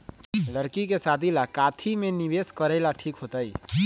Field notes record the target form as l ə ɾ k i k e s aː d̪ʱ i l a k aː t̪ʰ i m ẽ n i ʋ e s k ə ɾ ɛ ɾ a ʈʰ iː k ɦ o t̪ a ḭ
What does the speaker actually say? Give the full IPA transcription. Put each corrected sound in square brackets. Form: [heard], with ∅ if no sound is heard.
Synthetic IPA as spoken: l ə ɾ k i k e s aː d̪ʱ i l a k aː t̪ʰ i m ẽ n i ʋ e s k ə ɾ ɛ [l] a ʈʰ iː k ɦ o t̪ a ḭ

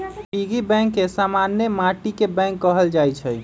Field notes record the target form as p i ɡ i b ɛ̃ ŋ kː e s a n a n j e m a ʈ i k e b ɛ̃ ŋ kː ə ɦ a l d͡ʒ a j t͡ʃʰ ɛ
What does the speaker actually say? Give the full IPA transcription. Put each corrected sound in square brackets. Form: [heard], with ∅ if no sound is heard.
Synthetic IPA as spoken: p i ɡ i b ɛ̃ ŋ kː e s a [m] a n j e m a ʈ i k e b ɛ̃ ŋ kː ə ɦ [ə] l d͡ʒ a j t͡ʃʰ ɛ

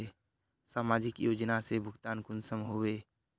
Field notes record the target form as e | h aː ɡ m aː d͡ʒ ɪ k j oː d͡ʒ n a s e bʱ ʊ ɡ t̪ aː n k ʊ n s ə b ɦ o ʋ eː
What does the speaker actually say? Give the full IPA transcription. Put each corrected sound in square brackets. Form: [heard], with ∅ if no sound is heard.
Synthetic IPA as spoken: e | [s] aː [∅] m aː d͡ʒ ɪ k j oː d͡ʒ n a s e bʱ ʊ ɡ t̪ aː n k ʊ n s ə [m] ɦ o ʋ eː

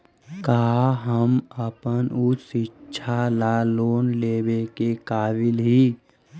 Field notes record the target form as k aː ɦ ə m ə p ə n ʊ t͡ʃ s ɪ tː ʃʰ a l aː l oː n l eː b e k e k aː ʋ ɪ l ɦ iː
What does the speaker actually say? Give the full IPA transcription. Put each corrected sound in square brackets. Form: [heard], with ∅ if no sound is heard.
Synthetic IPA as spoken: k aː ɦ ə m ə p ə n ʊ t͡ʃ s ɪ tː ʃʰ a l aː l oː n l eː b e k e k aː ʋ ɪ l ɦ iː

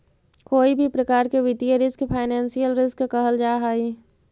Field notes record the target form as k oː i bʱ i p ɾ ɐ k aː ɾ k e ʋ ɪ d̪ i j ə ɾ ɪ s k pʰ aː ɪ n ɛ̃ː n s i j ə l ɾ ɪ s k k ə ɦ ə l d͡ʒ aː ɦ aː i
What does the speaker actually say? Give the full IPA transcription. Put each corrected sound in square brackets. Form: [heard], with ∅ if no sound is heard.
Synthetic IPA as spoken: k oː i bʱ i p ɾ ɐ k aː ɾ k e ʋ ɪ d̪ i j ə ɾ ɪ s k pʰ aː ɪ n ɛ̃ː n s i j ə l ɾ ɪ s k k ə ɦ ə l d͡ʒ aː ɦ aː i

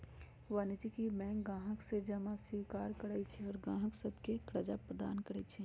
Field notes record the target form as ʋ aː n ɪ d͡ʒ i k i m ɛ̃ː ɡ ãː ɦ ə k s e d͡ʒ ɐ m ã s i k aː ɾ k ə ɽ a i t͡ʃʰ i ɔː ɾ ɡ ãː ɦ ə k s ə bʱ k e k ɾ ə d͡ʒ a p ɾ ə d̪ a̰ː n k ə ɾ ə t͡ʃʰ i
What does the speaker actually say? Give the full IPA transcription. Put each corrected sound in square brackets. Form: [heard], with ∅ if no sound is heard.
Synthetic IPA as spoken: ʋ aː n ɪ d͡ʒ i k i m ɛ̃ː ɡ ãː ɦ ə k s e d͡ʒ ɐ m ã s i k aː ɾ k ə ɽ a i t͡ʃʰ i ɔː ɾ ɡ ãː ɦ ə k s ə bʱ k e k ɾ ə d͡ʒ a p ɾ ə d̪ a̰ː n k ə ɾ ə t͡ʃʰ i

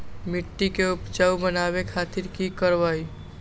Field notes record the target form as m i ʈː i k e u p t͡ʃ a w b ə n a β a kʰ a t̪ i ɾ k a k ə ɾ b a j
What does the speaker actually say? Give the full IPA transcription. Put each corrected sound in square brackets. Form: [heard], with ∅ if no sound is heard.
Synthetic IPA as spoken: m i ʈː i k e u p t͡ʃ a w b ə n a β [e] kʰ a t̪ i ɾ k [i] k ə ɾ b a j

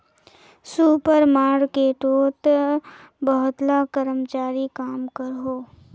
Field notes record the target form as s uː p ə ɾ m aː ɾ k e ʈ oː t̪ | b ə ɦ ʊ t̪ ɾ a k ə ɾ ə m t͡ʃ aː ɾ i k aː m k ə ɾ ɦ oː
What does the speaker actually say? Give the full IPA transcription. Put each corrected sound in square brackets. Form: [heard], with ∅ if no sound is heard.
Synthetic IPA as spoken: s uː p ə ɾ m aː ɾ k e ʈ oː t̪ | b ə ɦ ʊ t̪ [l] a k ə ɾ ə m t͡ʃ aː ɾ i k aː m k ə ɾ ɦ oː

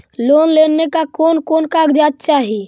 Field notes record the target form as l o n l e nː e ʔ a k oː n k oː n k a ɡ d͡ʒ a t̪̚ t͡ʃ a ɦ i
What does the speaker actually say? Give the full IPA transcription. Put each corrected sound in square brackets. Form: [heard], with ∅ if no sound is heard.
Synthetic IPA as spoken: l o n l e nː e [k] a k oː n k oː n k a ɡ d͡ʒ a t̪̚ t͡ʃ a ɦ i

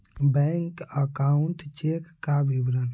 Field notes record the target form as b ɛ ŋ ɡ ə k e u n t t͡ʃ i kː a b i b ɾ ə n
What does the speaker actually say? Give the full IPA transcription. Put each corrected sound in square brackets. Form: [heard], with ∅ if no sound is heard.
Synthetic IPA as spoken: b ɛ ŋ [k] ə k [a] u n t t͡ʃ [e] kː a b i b ɾ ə n

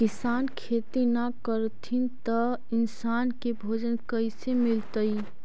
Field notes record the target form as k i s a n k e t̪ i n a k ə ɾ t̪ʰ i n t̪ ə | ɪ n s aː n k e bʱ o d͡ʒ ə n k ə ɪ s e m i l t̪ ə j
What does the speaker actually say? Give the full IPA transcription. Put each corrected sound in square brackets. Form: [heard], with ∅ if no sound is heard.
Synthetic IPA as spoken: k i s a n [kʰ] e t̪ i n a k ə ɾ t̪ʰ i n t̪ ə | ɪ n s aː n k e bʱ o d͡ʒ ə n k ə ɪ s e m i l t̪ ə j

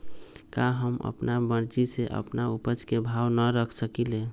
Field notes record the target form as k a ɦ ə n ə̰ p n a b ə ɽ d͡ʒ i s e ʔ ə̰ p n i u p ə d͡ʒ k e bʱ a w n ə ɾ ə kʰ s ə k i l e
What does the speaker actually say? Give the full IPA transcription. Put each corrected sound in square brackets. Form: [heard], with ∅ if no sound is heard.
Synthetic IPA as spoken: k a ɦ ə [m] ə̰ p n a b ə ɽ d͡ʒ i s e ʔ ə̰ p n [a] u p ə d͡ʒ k e bʱ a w n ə ɾ ə kʰ s ə k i l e

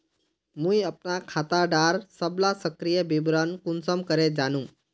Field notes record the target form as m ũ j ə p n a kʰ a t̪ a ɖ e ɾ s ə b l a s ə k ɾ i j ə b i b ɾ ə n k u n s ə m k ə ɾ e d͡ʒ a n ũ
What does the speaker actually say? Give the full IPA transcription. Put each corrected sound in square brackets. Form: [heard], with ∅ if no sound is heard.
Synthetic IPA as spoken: m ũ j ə p n a kʰ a t̪ a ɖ [a] ɾ s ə b l a s ə k ɾ i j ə b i b ɾ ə n k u n s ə m k ə ɾ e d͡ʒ a n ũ

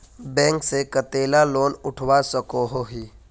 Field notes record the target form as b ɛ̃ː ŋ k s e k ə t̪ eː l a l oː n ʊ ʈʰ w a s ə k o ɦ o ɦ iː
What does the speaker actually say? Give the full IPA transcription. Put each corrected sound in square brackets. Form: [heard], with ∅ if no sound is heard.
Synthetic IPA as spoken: b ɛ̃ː ŋ k s e k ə t̪ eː l a l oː n ʊ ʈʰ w a s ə k o ɦ o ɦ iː

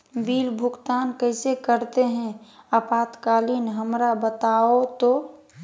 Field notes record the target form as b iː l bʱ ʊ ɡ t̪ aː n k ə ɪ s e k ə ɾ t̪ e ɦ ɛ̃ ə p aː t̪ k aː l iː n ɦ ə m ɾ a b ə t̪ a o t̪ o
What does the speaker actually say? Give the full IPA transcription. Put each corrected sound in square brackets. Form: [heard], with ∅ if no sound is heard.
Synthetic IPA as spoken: b iː l bʱ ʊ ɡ t̪ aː n k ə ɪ s e k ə ɾ t̪ e ɦ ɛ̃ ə p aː t̪ k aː l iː n ɦ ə m ɾ a b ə t̪ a o t̪ o

